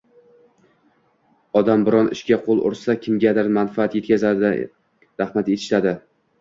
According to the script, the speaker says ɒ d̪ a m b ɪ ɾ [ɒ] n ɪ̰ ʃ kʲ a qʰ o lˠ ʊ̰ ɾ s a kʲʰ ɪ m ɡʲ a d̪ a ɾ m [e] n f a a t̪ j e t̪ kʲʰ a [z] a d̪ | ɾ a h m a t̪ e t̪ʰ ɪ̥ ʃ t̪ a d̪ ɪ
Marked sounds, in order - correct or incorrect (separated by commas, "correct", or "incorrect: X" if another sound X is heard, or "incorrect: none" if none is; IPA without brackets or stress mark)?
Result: correct, incorrect: a, correct